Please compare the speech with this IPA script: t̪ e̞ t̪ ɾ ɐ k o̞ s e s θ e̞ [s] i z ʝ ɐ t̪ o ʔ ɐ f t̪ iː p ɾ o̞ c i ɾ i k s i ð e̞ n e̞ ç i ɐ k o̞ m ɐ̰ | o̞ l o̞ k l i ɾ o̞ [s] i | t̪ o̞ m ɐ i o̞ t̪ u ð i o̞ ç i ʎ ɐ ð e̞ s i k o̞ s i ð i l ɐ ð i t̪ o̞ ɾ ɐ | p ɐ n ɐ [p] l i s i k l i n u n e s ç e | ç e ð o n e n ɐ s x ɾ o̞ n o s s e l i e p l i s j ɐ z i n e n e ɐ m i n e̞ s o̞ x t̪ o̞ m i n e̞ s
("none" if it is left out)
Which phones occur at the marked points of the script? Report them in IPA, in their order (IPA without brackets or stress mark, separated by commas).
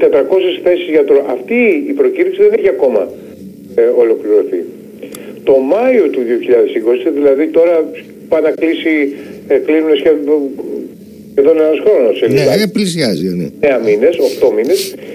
s, θ, k